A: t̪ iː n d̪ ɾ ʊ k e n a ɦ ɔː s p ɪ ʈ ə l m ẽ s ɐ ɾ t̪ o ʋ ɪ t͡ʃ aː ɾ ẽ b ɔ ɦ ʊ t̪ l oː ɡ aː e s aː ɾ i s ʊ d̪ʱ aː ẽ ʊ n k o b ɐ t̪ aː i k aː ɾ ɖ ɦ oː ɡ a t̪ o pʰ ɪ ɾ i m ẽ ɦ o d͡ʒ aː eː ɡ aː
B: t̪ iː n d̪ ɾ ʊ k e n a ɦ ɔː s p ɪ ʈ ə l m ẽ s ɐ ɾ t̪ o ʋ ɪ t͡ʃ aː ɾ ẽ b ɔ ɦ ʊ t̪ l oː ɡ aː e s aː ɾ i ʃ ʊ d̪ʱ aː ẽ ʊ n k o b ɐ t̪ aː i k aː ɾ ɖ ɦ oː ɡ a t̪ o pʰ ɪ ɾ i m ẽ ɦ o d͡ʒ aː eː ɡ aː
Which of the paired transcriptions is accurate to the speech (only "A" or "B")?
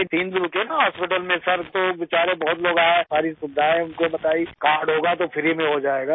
A